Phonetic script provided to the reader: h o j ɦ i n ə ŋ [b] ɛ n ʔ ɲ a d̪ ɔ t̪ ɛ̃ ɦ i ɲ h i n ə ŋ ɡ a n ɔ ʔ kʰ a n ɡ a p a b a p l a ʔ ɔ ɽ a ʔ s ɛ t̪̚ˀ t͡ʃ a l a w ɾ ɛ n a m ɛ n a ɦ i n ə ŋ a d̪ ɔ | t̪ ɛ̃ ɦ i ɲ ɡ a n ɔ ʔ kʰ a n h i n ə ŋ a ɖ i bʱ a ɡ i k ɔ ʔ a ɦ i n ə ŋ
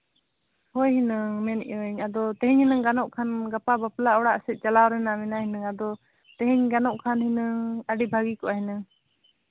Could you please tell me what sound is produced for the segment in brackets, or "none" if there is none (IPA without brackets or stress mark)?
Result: m